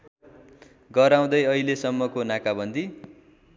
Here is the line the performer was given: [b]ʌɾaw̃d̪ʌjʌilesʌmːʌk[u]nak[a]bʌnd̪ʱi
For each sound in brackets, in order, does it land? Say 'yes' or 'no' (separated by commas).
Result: no, no, yes